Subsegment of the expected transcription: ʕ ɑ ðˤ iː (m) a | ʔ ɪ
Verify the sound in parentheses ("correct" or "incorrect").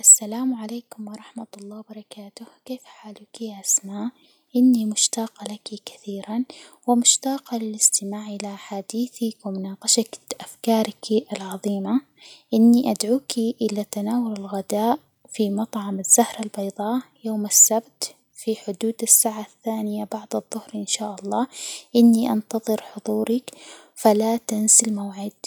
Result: correct